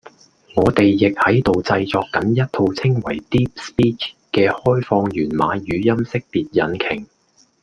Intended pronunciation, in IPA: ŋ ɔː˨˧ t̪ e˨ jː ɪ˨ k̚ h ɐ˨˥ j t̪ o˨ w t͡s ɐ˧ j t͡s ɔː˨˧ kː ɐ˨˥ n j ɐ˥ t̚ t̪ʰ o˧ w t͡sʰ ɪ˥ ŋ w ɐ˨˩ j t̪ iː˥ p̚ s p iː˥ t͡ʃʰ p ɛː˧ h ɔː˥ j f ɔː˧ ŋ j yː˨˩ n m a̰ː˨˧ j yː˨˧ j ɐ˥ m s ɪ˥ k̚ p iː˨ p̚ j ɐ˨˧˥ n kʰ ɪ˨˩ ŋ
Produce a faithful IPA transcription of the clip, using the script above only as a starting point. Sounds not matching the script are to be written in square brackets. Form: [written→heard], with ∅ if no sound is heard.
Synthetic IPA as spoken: ŋ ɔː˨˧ t̪ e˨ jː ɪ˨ k̚ h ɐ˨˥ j t̪ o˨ w t͡s ɐ˧ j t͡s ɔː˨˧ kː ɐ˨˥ n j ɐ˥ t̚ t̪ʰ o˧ w t͡sʰ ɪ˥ ŋ w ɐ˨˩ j t̪ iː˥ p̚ s p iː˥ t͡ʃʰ [p→k] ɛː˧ h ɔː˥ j f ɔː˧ ŋ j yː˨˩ n m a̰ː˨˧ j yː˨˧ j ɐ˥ m s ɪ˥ k̚ p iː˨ [p̚→t̚] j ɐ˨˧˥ n kʰ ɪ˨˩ ŋ